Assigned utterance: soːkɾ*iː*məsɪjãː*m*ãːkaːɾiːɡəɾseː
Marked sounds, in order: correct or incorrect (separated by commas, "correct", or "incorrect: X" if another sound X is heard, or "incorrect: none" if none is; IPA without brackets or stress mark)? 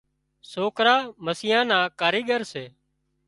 incorrect: aː, incorrect: n